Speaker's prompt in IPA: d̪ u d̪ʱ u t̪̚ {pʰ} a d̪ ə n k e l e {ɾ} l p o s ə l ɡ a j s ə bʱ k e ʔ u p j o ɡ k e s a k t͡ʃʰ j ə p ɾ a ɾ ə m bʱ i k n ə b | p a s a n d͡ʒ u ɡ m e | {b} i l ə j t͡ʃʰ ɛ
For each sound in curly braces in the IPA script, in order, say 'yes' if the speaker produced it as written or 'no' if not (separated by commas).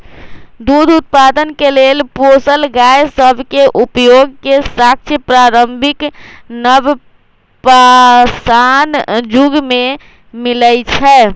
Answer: no, no, no